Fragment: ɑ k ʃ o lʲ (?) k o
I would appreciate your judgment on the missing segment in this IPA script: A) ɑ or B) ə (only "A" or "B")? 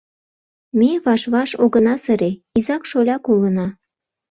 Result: A